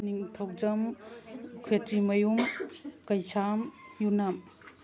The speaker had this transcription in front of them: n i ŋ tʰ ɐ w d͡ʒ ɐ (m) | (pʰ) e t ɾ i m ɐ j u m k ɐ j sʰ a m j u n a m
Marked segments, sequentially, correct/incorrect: correct, incorrect

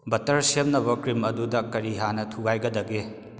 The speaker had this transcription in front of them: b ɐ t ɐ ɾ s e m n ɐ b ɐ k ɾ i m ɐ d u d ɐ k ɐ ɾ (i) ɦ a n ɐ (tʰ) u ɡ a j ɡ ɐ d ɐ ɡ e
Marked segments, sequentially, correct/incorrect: correct, correct

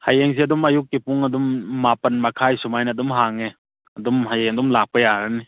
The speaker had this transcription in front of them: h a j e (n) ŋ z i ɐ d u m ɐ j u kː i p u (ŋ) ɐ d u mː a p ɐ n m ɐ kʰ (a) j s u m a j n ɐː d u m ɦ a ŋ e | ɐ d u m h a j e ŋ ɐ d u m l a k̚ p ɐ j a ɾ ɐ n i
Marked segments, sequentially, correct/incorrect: incorrect, correct, correct

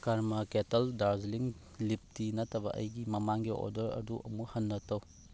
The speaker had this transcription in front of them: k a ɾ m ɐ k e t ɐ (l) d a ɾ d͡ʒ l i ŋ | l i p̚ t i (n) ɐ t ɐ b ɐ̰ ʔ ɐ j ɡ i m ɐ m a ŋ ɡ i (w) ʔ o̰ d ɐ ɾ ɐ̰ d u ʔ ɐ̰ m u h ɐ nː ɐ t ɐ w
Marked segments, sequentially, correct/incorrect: correct, correct, incorrect

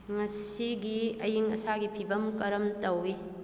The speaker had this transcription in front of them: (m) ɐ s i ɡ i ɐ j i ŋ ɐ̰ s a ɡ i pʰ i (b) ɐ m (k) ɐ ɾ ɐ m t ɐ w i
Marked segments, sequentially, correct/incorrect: incorrect, correct, correct

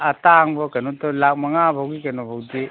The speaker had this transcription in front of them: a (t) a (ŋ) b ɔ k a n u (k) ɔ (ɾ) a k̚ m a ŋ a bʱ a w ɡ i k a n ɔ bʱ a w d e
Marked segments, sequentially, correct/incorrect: correct, correct, incorrect, incorrect

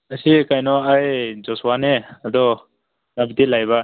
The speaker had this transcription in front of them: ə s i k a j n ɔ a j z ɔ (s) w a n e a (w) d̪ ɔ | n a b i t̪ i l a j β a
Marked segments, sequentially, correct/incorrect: correct, incorrect

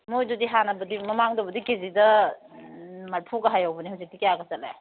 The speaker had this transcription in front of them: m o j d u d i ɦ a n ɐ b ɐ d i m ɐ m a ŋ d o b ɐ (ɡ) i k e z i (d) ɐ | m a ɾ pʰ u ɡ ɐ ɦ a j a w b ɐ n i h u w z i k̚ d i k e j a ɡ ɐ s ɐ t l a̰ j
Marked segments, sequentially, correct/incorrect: incorrect, correct

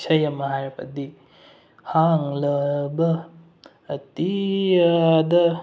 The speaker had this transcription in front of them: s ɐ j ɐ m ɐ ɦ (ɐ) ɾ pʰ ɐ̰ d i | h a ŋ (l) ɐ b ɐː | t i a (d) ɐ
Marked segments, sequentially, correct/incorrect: incorrect, correct, correct

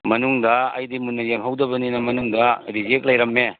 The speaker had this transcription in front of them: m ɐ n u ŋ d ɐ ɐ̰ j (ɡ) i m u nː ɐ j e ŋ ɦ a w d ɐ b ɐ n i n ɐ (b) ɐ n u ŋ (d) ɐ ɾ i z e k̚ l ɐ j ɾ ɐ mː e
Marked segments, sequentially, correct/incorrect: incorrect, incorrect, correct

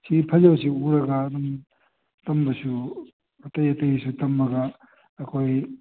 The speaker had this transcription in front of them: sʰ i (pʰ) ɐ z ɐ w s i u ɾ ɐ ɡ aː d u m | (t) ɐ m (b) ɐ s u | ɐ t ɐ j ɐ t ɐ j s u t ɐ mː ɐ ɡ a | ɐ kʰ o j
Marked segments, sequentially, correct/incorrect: correct, correct, correct

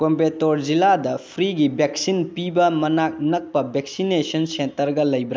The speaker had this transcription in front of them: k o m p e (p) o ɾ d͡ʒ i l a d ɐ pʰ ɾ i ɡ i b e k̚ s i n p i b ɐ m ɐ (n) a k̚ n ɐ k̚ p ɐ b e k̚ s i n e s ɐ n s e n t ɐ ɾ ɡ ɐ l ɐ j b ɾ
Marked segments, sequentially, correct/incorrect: incorrect, correct

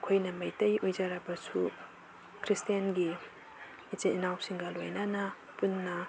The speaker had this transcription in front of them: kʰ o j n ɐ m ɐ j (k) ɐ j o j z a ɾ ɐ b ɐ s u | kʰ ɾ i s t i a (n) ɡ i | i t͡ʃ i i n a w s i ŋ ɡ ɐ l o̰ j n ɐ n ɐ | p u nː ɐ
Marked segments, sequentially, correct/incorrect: incorrect, correct

